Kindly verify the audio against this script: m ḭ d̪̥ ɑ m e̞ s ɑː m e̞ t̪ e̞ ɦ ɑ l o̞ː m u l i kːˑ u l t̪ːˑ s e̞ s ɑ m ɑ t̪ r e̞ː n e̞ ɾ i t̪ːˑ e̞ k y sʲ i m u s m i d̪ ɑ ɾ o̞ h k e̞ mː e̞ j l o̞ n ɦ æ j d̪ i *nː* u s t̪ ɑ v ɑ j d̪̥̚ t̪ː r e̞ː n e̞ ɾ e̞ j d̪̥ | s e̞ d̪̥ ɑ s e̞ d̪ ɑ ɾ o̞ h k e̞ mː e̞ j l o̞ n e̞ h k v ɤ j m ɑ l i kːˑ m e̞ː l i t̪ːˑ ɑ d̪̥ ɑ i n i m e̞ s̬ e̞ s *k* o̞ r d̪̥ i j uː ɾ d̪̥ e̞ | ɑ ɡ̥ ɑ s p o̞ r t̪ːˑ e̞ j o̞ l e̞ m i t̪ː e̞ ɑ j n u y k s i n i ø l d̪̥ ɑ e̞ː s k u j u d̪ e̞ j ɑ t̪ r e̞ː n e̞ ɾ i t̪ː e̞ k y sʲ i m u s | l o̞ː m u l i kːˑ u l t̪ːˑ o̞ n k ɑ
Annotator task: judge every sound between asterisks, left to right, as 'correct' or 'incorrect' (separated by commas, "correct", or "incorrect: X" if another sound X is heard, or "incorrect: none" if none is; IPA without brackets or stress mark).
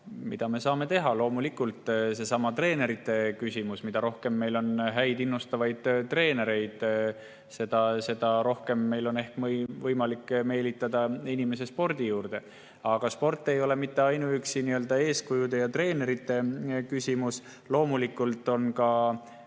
correct, incorrect: p